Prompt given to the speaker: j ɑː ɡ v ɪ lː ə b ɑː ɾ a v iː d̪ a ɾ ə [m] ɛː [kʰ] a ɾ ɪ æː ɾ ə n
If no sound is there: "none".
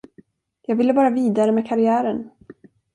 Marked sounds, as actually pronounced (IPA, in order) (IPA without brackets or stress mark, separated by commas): m, kʰ